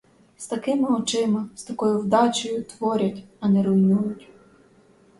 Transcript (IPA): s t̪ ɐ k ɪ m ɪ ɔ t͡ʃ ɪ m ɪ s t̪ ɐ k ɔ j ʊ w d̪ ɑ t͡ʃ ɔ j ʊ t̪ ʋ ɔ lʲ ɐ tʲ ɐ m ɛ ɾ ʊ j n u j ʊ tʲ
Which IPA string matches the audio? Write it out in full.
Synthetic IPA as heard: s t̪ ɐ k ɪ m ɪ ɔ t͡ʃ ɪ m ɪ s t̪ ɐ k ɔ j ʊ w d̪ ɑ t͡ʃ ɔ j ʊ t̪ ʋ ɔ ɾʲ ɐ tʲ ɐ n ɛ ɾ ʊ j n u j ʊ tʲ